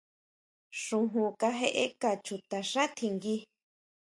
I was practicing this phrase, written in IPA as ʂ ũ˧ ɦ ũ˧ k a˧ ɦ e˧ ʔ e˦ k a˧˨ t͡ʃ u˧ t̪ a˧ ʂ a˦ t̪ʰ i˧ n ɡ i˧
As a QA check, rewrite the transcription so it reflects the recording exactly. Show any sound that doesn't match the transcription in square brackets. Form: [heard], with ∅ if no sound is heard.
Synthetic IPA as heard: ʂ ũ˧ ɦ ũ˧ k a˧ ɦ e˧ ʔ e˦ k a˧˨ t͡ʃ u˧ t̪ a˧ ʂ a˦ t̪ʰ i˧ [ŋ] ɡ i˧